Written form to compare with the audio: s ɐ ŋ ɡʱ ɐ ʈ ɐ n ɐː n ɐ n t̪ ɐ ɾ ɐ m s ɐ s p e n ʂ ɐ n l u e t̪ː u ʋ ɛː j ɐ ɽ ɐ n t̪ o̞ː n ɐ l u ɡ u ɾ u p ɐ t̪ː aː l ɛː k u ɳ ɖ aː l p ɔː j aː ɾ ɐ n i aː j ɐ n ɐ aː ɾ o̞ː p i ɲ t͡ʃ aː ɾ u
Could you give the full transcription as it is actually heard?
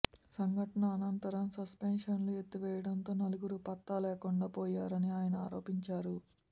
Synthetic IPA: s ɐ ŋ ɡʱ ɐ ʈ ɐ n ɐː n ɐ n t̪ ɐ ɾ ɐ m s ɐ s p e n ʂ ɐ n l u e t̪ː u ʋ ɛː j ɐ ɽ ɐ n t̪ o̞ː n ɐ l u ɡ u ɾ u p ɐ t̪ː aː l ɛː k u ɳ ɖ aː p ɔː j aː ɾ ɐ n i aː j ɐ n ɐ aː ɾ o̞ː p i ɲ t͡ʃ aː ɾ u